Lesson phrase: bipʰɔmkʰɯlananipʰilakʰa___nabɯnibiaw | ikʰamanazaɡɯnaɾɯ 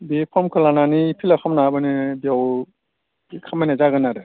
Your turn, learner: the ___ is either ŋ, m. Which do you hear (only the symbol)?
m